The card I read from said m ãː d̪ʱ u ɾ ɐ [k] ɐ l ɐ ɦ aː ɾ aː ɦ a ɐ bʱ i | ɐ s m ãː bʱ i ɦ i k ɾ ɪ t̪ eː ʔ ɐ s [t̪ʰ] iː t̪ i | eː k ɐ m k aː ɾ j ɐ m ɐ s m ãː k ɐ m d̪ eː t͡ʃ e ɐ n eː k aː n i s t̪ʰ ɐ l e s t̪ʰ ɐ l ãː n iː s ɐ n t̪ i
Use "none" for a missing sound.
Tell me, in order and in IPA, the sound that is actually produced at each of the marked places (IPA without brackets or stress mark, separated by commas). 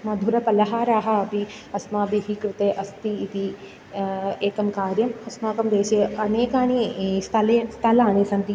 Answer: p, t̪